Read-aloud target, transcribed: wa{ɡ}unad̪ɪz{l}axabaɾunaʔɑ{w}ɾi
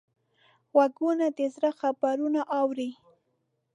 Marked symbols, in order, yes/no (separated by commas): yes, no, yes